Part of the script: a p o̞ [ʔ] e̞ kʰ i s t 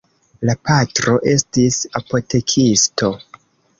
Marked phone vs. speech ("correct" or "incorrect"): incorrect